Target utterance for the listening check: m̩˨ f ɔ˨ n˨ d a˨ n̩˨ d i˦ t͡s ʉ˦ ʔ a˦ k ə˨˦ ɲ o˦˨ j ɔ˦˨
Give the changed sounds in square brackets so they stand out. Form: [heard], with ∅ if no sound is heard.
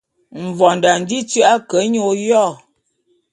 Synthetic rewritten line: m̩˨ [v] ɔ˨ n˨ d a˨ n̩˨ d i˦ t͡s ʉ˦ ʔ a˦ k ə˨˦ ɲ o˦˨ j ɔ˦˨